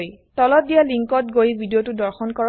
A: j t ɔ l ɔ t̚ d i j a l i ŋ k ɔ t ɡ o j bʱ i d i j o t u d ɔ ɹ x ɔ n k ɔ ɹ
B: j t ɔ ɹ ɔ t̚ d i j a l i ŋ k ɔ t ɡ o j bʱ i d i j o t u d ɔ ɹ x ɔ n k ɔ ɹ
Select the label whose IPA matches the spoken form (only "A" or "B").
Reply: A